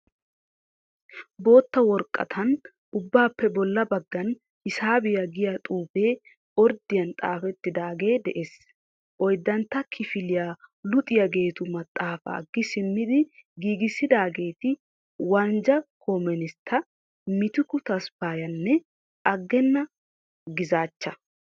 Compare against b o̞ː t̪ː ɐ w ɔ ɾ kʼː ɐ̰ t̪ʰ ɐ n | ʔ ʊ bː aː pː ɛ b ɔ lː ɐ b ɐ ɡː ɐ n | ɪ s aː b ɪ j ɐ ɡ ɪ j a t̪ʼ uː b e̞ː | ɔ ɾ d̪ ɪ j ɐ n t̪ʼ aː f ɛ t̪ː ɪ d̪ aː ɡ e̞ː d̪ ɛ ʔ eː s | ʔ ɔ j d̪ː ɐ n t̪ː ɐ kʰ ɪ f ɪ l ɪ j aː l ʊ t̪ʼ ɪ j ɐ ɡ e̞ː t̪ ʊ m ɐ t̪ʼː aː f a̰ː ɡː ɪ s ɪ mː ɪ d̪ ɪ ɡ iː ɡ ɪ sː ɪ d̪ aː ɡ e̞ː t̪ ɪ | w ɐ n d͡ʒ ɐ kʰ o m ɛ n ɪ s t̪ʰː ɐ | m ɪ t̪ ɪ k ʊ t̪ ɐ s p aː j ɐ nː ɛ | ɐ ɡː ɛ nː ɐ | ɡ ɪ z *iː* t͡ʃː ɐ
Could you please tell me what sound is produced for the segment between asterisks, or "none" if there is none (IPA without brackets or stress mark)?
aː